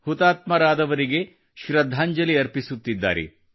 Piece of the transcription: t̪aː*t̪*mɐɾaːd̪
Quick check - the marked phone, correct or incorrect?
correct